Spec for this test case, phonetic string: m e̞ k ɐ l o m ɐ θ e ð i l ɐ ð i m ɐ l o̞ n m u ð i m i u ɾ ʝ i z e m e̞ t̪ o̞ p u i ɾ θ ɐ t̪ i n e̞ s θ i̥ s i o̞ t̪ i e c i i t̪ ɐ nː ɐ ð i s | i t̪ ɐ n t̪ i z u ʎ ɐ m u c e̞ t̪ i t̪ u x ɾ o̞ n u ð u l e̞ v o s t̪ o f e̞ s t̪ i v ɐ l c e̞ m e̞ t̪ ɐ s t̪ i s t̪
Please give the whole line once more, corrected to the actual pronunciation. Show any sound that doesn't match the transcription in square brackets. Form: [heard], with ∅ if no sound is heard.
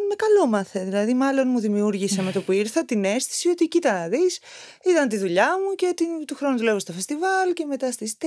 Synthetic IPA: m e̞ k ɐ l o m ɐ θ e ð i l ɐ ð i m ɐ l o̞ n m u ð i m i u ɾ ʝ i [s] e m e̞ t̪ o̞ p u i ɾ θ ɐ t̪ i n e̞ s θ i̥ s i o̞ t̪ i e c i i t̪ ɐ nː ɐ ð i s | i t̪ ɐ n t̪ i [ð] u ʎ ɐ m u c e̞ t̪ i t̪ u x ɾ o̞ n u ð u l e̞ v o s t̪ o f e̞ s t̪ i v ɐ l c e̞ m e̞ t̪ ɐ s t̪ i s t̪